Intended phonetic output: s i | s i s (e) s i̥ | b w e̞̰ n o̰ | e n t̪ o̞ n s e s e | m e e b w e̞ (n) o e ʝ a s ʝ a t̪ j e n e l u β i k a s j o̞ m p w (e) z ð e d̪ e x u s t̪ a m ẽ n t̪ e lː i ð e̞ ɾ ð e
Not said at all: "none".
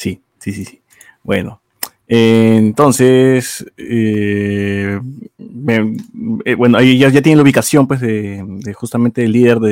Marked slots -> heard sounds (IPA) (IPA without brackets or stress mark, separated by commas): i, n, e